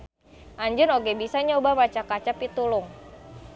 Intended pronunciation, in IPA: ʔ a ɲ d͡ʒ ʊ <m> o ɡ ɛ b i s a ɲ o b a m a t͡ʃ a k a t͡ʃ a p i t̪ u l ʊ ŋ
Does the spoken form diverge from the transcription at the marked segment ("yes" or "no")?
yes